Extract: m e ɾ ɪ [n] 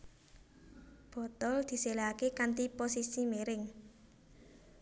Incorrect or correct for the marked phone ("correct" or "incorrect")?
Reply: incorrect